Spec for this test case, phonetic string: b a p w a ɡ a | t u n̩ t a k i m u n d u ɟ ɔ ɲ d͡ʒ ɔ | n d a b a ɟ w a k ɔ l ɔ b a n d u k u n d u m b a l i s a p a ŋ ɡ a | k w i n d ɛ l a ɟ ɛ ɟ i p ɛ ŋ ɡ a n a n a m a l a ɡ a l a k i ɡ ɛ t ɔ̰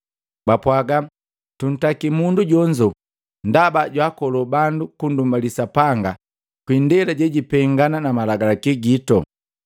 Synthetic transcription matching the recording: b a p w a ɡ a | t u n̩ t a k i m u n d u ɟ ɔ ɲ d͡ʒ ɔ | n d a b a ɟ w a k ɔ l ɔ b a n d u k u n d u m b a l i s a p a ŋ ɡ a | k w i n d ɛ l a ɟ ɛ ɟ i p ɛ ŋ ɡ a n a n a m a l a ɡ a l a k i ɡ i t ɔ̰